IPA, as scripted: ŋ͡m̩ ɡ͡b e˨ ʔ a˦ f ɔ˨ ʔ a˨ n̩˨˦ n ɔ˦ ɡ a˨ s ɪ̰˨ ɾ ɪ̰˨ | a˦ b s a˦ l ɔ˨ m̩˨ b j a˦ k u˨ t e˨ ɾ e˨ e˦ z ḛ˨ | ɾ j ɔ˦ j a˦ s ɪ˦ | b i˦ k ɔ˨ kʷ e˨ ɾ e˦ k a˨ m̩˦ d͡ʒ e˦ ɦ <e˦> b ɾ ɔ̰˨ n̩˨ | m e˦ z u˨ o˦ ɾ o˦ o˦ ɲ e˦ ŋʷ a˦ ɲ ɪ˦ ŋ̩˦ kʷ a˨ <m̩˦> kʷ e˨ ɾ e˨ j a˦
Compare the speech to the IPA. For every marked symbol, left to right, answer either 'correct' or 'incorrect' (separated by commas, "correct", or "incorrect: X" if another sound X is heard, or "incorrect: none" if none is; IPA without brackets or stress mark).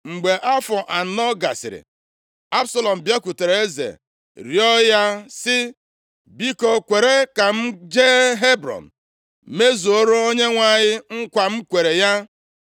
correct, correct